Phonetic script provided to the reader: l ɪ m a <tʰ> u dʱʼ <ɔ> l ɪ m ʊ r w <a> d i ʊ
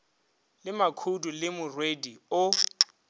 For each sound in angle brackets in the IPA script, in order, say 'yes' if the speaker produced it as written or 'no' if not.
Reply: no, no, no

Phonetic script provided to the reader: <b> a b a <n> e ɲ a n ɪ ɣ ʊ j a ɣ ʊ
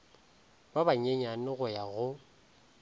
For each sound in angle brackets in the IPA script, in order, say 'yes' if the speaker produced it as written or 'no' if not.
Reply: yes, no

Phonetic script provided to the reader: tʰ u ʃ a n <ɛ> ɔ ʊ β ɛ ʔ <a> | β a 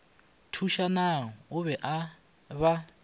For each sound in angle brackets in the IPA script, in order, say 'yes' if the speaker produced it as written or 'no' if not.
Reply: no, yes

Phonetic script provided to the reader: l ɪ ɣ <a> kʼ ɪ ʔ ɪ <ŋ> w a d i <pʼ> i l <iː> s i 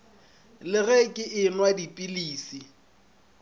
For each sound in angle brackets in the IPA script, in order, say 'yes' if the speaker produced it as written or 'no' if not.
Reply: no, no, yes, yes

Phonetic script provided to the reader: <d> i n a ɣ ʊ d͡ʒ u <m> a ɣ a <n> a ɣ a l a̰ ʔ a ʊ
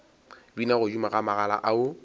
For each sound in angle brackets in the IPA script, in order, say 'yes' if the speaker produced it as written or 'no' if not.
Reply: no, yes, no

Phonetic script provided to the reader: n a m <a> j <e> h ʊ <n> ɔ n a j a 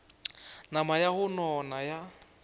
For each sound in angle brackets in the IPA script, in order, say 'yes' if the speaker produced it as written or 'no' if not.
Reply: yes, no, yes

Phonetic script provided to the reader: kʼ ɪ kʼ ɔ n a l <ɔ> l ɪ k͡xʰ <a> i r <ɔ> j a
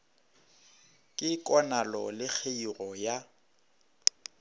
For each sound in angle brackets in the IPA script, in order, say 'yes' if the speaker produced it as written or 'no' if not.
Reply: yes, no, yes

